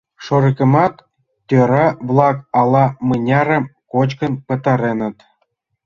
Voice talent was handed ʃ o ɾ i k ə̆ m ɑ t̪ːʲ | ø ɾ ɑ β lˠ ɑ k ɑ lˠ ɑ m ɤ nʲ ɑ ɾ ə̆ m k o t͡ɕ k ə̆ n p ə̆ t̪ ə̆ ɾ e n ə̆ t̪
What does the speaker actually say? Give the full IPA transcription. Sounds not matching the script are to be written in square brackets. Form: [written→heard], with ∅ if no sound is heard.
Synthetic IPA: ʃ o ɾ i k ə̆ m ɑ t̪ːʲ | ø ɾ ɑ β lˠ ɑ k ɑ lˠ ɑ m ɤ nʲ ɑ ɾ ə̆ m k o t͡ɕ k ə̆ n p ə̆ t̪ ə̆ ɾ e n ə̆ t̪